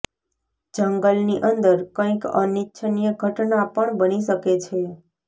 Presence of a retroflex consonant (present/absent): present